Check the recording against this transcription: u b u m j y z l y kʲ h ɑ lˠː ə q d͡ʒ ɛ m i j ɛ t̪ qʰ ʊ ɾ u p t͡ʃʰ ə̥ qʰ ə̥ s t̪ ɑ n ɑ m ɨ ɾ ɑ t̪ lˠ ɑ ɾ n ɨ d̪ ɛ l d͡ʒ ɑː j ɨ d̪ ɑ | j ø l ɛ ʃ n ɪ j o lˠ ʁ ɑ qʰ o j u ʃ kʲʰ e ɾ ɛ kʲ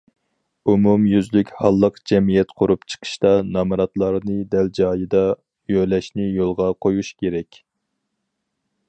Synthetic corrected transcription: u m u m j y z l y kʲ h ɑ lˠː ə q d͡ʒ ɛ m i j ɛ t̪ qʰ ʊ ɾ u p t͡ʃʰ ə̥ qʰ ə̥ ʃ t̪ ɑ n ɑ m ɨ ɾ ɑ t̪ lˠ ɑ ɾ n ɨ d̪ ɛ l d͡ʒ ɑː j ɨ d̪ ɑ | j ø l ɛ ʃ n ɪ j o lˠ ʁ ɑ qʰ o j u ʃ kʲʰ e ɾ ɛ kʲ

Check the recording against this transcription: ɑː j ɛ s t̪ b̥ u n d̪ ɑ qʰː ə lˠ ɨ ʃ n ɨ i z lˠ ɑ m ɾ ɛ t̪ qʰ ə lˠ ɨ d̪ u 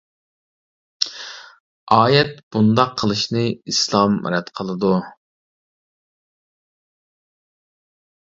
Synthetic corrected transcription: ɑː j ɛ t̪ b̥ u n d̪ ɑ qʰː ə lˠ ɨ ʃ n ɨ i s lˠ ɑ m ɾ ɛ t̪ qʰ ə lˠ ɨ d̪ u

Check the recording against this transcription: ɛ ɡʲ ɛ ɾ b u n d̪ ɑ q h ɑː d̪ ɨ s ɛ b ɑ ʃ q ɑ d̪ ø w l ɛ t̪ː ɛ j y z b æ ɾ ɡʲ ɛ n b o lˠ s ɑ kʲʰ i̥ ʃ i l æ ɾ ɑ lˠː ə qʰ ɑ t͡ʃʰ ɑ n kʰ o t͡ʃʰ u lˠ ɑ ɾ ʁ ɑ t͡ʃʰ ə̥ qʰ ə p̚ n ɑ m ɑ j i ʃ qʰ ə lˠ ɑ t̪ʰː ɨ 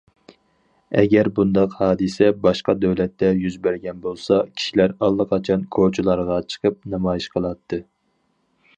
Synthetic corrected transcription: ɛ ɡʲ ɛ ɾ b u n d̪ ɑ q h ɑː d̪ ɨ s ɛ b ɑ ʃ q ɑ d̪ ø w l ɛ t̪ː ɛ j y z b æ ɾ ɡʲ ɛ n b o lˠ s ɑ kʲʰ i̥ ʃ i l æ ɾ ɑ lˠː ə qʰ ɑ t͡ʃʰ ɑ n kʰ o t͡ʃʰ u lˠ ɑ ɾ ʁ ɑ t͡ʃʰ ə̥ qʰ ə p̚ n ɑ m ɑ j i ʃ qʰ ə lˠ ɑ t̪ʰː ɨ

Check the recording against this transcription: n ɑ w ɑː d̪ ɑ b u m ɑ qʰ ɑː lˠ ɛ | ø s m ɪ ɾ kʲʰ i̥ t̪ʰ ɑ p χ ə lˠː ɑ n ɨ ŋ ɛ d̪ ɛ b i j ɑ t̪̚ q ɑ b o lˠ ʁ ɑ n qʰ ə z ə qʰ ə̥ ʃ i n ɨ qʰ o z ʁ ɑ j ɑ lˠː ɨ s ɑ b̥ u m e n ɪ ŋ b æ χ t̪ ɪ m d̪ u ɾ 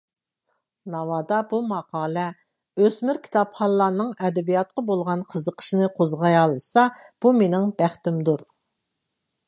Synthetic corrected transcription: n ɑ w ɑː d̪ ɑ b u m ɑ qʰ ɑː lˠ ɛ | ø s m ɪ ɾ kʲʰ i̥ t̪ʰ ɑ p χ ɑ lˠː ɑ n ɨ ŋ ɛ d̪ ɛ b i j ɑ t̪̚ q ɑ b o lˠ ʁ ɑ n qʰ ə z ə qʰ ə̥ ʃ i n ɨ qʰ o z ʁ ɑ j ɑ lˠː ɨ s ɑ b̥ u m e n ɪ ŋ b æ χ t̪ ɪ m d̪ u ɾ

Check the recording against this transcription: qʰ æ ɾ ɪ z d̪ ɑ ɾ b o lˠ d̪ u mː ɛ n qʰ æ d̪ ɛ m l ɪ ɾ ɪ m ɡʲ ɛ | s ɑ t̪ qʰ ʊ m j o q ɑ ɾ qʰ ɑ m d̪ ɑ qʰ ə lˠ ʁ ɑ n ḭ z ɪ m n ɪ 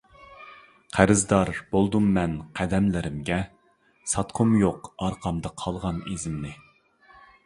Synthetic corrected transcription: qʰ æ ɾ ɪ z d̪ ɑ ɾ b o lˠ d̪ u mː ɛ n qʰ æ d̪ ɛ m l ɪ ɾ ɪ m ɡʲ ɛ | s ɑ t̪ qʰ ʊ m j o q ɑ ɾ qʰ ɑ m d̪ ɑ qʰ ɑ lˠ ʁ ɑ n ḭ z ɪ m n ɪ

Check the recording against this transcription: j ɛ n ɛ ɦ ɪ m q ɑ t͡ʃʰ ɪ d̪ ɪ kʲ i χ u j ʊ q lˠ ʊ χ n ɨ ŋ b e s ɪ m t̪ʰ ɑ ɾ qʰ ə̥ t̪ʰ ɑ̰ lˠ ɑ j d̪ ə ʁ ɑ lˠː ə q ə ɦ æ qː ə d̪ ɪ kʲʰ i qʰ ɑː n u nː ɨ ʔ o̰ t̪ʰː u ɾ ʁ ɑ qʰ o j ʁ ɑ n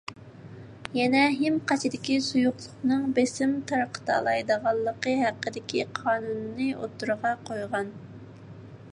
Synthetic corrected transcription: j ɛ n ɛ ɦ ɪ m q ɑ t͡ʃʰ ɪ d̪ ɪ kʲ i s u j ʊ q lˠ ʊ χ n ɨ ŋ b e s ɪ m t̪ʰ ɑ ɾ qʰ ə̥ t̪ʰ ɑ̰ lˠ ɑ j d̪ ə ʁ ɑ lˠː ə q ə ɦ æ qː ə d̪ ɪ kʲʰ i qʰ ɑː n u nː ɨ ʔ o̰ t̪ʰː u ɾ ʁ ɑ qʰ o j ʁ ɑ n

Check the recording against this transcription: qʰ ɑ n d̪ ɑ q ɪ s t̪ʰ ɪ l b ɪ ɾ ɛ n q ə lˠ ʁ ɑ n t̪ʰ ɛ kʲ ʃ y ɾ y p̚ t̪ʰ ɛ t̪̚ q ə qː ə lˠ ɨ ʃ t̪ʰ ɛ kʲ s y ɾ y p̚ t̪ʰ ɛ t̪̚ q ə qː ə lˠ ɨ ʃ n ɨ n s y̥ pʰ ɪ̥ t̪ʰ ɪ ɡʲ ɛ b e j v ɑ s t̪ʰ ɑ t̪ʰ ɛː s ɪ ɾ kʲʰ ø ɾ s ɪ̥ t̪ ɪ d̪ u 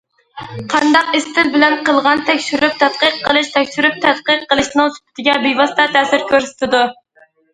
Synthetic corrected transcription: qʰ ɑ n d̪ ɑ q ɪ s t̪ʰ ɪ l b ɪ l ɛ n q ə lˠ ʁ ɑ n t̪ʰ ɛ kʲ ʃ y ɾ y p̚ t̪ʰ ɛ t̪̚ q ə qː ə lˠ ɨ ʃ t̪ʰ ɛ kʲ ʃ y ɾ y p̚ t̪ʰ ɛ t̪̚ q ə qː ə lˠ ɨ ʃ n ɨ ŋ s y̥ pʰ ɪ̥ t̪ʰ ɪ ɡʲ ɛ b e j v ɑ s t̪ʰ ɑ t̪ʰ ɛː s ɪ ɾ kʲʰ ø ɾ s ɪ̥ t̪ ɪ d̪ u

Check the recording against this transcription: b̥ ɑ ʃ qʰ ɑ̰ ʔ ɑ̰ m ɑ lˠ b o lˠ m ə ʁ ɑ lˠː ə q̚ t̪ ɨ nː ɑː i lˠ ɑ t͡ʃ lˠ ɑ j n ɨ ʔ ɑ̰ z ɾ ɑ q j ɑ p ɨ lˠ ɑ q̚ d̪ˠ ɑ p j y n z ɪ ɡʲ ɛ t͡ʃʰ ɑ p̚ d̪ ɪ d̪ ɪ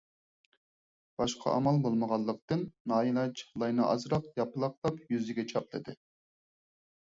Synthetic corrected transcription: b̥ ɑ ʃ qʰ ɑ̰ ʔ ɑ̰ m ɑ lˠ b o lˠ m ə ʁ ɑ lˠː ə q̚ t̪ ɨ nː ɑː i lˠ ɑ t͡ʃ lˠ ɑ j n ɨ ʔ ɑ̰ z ɾ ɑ q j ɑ p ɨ lˠ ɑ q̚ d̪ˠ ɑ p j y z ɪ ɡʲ ɛ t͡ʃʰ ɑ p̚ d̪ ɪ d̪ ɪ

